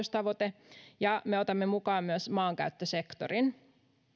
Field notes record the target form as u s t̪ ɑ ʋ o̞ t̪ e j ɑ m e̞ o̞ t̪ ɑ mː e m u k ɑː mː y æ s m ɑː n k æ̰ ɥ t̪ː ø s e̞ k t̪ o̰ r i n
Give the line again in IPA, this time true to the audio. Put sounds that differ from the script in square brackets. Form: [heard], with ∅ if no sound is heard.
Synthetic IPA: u s t̪ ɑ ʋ o̞ t̪ e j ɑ m e̞ o̞ t̪ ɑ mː e m u k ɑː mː y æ s m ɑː [ŋ] k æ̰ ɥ t̪ː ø s e̞ k t̪ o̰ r i n

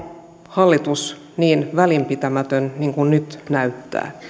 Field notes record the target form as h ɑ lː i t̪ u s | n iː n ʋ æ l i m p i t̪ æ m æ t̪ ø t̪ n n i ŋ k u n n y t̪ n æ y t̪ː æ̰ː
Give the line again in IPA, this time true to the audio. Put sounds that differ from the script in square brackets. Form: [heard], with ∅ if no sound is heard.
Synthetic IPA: h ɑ lː i t̪ u s | n iː n ʋ æ l i m p i t̪ æ m æ t̪ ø [∅] n n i ŋ k u n n y t̪ n æ y t̪ː æ̰ː

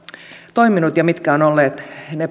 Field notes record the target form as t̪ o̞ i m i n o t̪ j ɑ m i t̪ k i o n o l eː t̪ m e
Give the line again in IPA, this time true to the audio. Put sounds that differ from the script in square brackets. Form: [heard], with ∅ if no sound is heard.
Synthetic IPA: t̪ o̞ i m i n [u] t̪ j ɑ m i t̪ k [æ] o n o [lː] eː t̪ [n] e

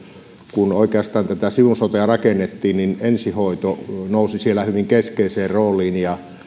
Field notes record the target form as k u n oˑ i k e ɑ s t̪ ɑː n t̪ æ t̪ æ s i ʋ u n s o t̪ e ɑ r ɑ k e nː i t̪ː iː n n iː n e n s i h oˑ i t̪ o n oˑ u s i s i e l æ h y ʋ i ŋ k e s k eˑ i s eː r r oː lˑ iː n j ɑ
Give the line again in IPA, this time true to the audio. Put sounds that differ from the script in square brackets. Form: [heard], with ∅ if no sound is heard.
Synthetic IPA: k u n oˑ i k e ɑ s t̪ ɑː n t̪ æ t̪ æ s i ʋ u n s o t̪ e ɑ r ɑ k e nː [e] t̪ː iː n n [i] n e n s i h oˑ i t̪ o n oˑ u s i s i e l æ h y ʋ i ŋ k e s k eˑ i s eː r r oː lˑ iː n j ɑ

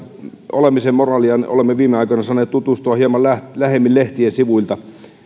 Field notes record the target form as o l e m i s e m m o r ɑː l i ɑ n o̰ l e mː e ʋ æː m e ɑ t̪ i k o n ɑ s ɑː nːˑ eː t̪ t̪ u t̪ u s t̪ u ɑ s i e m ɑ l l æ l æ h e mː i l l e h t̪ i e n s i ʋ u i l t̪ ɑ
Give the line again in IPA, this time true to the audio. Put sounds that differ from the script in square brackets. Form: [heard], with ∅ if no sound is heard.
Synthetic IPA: o l e m i s e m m o r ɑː l i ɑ n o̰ l e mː e ʋ [iː] m e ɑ [∅] i k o n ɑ s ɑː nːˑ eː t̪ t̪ u t̪ u s t̪ u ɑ [h] i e m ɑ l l æ l æ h e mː i l l e h t̪ i e n s i ʋ u i l t̪ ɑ

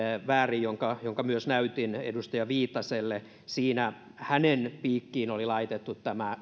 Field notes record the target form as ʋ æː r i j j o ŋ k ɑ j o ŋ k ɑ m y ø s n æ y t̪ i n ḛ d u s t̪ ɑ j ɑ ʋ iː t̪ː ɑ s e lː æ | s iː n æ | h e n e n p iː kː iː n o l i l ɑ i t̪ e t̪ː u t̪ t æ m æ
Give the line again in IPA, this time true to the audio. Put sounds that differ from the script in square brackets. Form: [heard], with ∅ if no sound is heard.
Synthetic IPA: ʋ æː r i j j o ŋ k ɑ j o ŋ k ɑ m y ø s n æ y t̪ i n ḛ d u s t̪ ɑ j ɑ ʋ iː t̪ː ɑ s e lː [e] | s iː n æ | h [æ] n e n p iː kː iː n o l i l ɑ i t̪ e t̪ː u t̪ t æ m æ

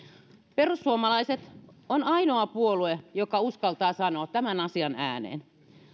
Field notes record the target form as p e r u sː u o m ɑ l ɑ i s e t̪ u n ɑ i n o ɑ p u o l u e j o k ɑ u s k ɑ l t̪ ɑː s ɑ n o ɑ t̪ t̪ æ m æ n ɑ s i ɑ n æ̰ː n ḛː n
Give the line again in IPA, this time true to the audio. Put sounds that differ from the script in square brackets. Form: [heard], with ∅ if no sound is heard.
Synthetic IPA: p e r u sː u o m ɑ l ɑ i s e t̪ [o] n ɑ i n o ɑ p u o l u e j o k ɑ u s k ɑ l t̪ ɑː s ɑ n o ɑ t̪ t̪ æ m æ n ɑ s i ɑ n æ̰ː n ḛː n

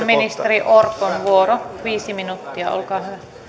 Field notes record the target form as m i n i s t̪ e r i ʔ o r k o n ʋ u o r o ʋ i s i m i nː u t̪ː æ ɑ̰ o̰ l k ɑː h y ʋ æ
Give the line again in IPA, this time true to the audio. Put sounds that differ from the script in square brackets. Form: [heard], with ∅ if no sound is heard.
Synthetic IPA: m i n i s t̪ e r i ʔ o r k o n ʋ u o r o ʋ [iː] s i m i [n] u t̪ː [i] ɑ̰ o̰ l k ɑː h y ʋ æ

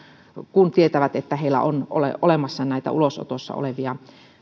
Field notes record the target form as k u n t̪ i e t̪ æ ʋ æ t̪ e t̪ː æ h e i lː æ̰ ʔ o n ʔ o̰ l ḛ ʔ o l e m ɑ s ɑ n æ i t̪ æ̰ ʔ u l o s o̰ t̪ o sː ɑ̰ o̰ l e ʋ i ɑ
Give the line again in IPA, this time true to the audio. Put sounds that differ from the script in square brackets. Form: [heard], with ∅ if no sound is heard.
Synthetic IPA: k u n t̪ i e t̪ æ ʋ æ t̪ e t̪ː æ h e i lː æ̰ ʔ o n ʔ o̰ l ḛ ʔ o l e m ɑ [sː] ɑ n æ i t̪ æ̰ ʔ u l o s o̰ t̪ o sː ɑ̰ o̰ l e ʋ i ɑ

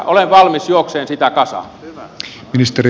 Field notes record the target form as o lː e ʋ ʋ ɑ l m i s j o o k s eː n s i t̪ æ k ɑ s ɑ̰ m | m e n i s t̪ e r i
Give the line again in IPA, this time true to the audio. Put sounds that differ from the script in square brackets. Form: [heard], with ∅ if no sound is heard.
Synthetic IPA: o [l] e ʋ ʋ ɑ l m i s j [u] o k s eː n s i t̪ æ k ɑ s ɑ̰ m | m [i] n i s t̪ e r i

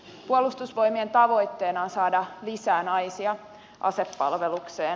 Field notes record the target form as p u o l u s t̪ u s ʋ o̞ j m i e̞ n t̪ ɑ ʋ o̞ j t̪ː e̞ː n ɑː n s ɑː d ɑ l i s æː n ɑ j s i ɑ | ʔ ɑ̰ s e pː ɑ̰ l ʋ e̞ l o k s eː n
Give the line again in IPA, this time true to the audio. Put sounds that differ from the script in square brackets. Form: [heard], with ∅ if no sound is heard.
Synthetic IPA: p u o l u s t̪ u s ʋ o̞ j m i e̞ n t̪ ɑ ʋ o̞ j t̪ː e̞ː n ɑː n s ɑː d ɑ l i s æː n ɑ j s i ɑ | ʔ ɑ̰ s e pː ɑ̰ l ʋ e̞ l [u] k s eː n

